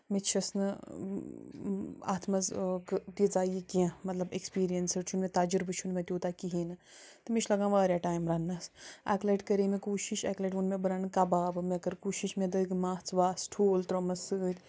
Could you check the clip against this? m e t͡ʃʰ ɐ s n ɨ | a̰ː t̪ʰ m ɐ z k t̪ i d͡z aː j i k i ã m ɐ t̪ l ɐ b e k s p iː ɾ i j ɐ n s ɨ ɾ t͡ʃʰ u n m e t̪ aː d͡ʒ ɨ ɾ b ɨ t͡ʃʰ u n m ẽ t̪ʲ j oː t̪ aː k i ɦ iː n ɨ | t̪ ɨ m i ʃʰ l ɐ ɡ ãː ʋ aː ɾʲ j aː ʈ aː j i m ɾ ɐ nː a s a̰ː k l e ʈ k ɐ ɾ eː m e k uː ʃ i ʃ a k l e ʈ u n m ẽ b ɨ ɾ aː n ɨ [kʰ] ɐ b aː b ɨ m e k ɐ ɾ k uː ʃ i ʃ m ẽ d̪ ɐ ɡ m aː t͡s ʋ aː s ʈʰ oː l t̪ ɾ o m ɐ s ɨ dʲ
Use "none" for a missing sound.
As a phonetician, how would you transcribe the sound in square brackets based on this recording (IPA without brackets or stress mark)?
k